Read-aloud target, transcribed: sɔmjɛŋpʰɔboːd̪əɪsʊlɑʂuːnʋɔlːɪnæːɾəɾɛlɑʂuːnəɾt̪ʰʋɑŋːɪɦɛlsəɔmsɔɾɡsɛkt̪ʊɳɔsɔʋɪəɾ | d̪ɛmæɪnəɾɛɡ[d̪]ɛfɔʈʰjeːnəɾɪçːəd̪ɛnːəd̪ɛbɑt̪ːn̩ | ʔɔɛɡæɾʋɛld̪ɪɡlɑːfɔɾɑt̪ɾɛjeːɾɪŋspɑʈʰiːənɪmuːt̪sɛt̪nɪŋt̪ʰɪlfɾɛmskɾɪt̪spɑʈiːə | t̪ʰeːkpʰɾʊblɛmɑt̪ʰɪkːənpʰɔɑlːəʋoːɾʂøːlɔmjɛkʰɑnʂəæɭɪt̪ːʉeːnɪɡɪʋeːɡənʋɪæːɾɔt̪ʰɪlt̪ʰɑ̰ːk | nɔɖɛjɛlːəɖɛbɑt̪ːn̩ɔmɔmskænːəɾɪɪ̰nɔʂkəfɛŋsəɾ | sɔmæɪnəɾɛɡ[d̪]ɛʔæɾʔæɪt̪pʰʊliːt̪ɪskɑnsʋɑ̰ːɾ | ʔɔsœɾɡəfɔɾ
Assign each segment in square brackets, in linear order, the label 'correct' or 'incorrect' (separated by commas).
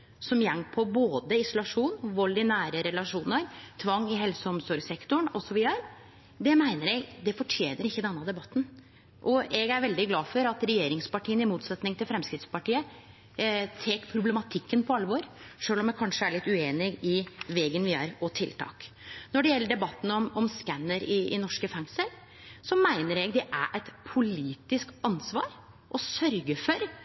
correct, correct